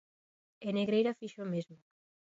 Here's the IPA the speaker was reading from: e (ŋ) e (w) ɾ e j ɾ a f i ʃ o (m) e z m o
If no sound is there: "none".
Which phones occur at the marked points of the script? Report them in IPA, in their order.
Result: n, ɣ, m

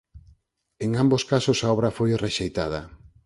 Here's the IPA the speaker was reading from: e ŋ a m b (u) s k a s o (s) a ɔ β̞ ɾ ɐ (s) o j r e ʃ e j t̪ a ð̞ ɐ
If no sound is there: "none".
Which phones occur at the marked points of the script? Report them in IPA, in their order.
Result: o, s, f

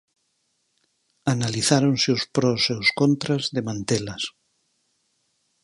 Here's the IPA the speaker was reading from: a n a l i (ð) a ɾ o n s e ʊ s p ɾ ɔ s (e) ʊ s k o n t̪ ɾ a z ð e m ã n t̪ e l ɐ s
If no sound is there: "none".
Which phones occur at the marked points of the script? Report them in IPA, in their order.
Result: θ, e

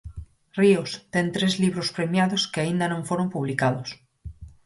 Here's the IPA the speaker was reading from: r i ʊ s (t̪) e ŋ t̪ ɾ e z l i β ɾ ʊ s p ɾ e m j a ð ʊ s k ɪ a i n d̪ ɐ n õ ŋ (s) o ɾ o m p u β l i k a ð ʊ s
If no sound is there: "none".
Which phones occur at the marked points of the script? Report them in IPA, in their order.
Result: t̪, f

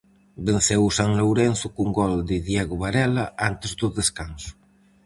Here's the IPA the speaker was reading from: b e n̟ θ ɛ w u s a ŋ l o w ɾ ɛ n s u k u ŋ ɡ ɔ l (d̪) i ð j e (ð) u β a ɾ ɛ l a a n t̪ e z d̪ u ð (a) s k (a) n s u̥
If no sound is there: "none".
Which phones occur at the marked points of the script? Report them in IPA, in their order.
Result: d̪, ɣ, e, a

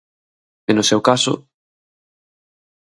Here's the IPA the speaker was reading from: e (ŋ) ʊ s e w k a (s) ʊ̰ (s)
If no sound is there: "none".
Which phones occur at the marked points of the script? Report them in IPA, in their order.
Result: n, s, none

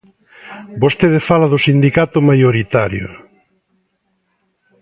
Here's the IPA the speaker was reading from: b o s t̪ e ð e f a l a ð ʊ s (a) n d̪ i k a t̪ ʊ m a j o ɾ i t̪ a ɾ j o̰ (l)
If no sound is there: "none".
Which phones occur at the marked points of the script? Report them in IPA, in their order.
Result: i, none

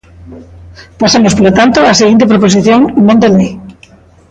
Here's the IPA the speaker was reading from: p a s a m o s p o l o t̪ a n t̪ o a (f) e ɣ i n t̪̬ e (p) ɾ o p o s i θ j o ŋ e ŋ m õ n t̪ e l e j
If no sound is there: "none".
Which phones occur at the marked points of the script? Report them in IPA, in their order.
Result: s, p

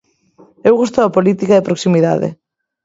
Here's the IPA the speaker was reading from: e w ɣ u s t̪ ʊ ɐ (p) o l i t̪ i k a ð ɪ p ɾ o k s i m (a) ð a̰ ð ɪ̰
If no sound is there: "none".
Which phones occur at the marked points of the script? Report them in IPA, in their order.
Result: p, i

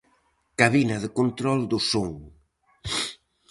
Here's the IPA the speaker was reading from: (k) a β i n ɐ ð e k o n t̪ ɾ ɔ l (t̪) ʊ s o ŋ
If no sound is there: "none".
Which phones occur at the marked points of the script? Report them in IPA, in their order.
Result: k, d̪

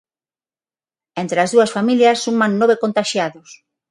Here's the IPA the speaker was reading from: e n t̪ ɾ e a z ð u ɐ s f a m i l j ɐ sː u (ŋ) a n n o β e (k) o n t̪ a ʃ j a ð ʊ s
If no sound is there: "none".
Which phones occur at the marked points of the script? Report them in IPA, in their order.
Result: m, k

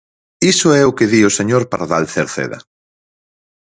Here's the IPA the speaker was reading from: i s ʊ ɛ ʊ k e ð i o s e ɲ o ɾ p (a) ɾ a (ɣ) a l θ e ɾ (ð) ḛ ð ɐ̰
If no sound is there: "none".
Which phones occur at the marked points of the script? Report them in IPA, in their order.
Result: a, ð, θ

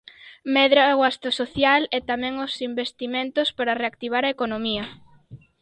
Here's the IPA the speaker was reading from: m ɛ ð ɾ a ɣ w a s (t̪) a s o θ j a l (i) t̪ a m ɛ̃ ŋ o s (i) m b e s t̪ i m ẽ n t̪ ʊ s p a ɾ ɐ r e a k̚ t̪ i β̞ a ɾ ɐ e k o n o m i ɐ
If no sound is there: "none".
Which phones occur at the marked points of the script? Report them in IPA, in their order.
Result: t̪, ɛ, i

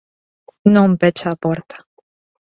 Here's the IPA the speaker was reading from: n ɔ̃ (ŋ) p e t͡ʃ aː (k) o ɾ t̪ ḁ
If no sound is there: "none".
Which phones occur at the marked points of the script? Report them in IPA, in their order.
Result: m, p

